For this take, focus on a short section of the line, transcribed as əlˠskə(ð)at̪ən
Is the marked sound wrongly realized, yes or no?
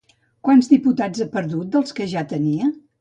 yes